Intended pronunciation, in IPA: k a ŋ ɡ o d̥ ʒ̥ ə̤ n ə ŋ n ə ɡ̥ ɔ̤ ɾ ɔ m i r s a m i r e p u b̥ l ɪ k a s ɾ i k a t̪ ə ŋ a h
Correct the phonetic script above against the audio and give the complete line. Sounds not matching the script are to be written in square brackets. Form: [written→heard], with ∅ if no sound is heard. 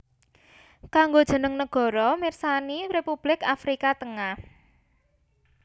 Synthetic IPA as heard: k a ŋ ɡ o d̥ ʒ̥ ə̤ n ə ŋ n ə ɡ̥ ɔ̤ ɾ ɔ m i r s a [m→n] i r e p u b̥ l ɪ k a [s→f] ɾ i k a t̪ ə ŋ a h